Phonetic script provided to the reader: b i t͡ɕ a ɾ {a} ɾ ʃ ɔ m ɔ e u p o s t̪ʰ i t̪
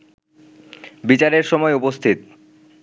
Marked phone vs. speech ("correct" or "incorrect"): incorrect